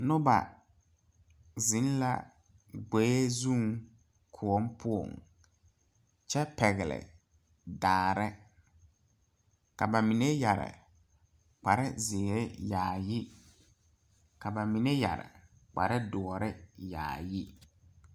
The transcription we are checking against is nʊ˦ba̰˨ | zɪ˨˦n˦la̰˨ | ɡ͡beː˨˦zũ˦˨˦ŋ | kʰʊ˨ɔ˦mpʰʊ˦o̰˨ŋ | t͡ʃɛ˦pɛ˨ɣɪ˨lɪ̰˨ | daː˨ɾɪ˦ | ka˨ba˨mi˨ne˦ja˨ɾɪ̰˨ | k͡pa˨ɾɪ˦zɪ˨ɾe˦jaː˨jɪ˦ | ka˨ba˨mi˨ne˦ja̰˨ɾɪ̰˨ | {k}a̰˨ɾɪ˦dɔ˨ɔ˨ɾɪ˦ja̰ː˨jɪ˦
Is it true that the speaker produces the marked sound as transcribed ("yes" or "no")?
no